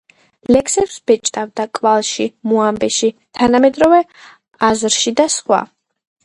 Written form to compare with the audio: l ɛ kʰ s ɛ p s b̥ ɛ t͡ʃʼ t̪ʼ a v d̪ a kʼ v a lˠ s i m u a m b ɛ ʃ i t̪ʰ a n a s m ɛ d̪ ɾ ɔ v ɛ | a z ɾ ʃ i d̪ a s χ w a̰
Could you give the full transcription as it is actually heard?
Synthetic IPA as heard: l ɛ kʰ s ɛ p s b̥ ɛ t͡ʃʼ t̪ʼ a v d̪ a kʼ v a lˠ ʃ i m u a m b ɛ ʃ i t̪ʰ a n a m ɛ d̪ ɾ ɔ v ɛ | a z ɾ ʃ i d̪ a s χ w a̰